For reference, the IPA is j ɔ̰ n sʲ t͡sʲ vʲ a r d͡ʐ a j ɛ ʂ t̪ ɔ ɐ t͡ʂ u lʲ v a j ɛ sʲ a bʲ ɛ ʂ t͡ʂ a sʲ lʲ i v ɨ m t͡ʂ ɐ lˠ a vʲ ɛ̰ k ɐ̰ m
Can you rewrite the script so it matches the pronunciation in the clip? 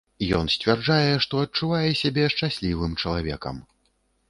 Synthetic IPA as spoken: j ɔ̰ n sʲ t͡sʲ vʲ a r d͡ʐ a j ɛ ʂ t̪ ɔ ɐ t͡ʂ u v a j ɛ sʲ a bʲ ɛ ʂ t͡ʂ a sʲ lʲ i v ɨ m t͡ʂ ɐ lˠ a vʲ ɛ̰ k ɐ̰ m